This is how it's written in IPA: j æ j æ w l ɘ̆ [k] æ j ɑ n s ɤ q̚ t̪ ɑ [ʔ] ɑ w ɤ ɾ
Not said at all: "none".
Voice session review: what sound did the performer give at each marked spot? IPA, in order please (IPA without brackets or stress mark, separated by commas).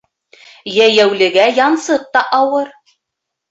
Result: ɡ, ʔ